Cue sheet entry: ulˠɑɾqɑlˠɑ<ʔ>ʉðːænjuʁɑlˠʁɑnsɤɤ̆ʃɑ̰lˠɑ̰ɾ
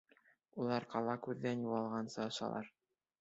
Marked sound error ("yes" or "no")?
yes